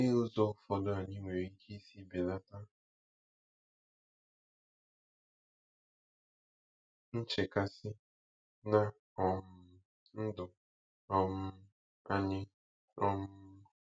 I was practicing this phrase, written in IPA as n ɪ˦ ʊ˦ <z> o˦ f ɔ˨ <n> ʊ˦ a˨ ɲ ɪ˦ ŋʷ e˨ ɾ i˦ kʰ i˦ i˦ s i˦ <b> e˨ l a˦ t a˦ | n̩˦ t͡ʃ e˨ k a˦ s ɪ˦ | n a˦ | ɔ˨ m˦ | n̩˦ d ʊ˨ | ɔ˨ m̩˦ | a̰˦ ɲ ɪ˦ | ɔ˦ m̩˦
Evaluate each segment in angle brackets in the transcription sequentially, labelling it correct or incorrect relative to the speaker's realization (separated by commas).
correct, incorrect, correct